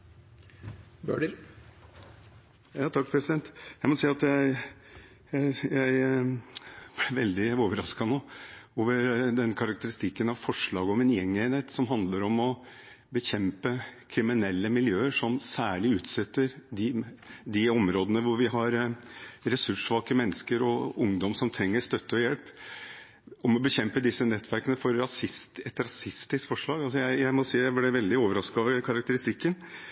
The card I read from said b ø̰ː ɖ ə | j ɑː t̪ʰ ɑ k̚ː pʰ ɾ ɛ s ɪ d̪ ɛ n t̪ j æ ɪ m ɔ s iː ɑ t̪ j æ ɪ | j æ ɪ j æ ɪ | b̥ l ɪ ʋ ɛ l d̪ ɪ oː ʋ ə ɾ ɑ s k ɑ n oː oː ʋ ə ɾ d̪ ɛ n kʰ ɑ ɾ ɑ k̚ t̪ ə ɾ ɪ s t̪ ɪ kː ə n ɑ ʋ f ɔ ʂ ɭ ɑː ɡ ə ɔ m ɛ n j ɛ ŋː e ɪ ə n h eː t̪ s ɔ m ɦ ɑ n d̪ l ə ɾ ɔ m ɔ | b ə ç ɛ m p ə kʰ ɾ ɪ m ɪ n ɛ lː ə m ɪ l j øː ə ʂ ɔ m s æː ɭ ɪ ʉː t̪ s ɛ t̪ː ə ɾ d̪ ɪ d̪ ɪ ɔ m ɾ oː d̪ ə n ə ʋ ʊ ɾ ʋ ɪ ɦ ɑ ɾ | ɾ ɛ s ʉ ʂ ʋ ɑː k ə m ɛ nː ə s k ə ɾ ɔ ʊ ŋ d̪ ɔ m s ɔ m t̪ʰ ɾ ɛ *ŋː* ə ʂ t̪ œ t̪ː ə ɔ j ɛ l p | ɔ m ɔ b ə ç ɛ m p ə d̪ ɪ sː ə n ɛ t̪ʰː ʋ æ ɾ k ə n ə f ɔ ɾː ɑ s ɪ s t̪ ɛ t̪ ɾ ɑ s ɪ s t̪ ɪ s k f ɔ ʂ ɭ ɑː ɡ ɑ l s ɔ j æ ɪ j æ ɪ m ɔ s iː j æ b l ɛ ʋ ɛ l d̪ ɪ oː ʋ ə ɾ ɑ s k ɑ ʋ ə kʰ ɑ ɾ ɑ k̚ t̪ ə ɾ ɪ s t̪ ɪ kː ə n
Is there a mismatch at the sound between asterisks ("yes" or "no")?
no